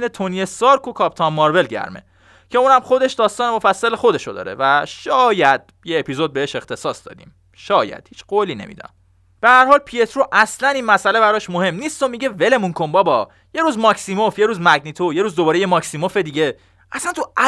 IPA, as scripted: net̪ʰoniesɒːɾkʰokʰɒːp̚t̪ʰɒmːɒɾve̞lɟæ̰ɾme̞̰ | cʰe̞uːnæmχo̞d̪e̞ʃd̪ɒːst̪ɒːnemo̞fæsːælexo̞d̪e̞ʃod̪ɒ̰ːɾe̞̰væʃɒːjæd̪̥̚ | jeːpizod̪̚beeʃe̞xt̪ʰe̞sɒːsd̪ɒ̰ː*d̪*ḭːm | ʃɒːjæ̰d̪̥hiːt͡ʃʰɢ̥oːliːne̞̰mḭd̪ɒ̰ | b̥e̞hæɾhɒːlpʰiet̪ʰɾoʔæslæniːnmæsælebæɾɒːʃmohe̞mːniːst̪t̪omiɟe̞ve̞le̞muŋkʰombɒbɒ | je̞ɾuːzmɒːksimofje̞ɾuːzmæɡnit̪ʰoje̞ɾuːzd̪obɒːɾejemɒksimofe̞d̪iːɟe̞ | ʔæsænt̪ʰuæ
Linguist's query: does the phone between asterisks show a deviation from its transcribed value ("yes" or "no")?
no